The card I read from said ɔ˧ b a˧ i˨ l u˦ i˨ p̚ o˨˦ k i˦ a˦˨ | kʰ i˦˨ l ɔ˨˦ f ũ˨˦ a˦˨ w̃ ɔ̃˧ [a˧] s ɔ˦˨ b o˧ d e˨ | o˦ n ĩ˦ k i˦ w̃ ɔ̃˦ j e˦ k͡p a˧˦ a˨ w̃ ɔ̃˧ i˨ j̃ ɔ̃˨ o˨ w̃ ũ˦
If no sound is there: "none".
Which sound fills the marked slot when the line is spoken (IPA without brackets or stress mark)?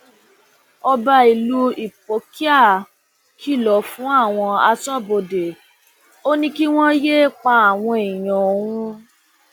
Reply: a˧